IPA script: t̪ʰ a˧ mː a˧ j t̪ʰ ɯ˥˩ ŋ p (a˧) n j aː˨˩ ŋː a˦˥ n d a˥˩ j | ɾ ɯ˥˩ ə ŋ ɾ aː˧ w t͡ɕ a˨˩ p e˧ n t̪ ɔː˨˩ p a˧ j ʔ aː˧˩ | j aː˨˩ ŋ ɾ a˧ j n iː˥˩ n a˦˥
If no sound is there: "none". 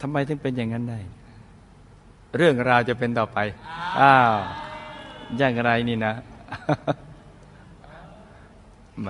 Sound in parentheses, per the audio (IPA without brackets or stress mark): e˧